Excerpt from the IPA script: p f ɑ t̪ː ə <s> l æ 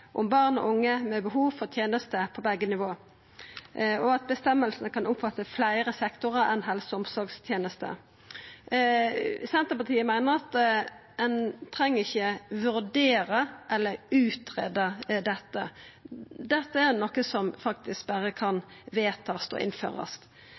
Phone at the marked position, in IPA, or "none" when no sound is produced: f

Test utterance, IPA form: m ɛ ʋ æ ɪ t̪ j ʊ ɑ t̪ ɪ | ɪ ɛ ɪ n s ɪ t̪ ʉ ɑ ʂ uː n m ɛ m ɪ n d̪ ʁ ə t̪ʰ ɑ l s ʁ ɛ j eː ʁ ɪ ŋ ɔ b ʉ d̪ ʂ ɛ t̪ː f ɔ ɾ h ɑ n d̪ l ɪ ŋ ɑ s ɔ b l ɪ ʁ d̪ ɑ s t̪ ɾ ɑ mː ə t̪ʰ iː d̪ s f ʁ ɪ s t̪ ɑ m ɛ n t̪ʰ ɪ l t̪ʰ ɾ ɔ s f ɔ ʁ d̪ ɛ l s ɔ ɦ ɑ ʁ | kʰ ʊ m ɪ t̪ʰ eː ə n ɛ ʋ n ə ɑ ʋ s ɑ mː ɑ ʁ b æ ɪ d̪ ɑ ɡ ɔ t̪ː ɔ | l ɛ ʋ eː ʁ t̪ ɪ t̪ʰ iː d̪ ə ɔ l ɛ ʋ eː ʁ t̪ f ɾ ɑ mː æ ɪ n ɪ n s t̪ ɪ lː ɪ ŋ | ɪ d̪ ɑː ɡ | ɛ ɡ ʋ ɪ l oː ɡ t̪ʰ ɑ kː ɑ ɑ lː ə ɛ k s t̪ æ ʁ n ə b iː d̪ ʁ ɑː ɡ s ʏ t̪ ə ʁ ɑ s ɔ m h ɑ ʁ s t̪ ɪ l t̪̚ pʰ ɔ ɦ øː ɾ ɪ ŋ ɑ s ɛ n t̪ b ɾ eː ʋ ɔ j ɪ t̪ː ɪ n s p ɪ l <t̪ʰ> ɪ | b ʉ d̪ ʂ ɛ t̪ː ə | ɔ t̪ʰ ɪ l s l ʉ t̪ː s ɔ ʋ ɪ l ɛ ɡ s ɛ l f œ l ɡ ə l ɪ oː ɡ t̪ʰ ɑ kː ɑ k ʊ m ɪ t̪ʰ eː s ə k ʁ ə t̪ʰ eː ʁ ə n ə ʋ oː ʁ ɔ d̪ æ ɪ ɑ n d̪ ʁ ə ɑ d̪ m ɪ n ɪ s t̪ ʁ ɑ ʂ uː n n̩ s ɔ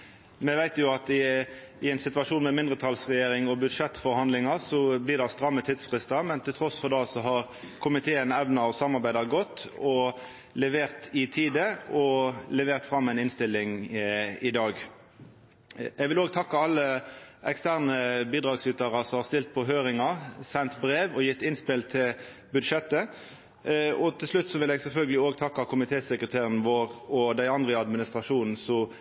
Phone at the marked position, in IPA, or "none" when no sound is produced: t̪ʰ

